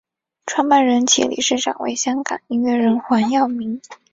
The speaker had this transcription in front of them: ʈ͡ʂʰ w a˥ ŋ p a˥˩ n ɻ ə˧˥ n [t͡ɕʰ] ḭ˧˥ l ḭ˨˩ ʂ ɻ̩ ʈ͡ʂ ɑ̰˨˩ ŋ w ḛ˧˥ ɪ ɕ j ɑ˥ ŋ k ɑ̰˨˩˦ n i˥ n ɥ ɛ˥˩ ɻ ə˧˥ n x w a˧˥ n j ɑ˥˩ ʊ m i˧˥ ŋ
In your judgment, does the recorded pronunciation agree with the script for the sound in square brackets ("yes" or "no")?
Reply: yes